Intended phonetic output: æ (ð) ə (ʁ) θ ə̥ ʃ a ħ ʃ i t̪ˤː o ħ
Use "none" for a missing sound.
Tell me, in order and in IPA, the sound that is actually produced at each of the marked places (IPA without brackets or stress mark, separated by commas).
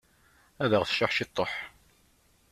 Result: ð, ʁ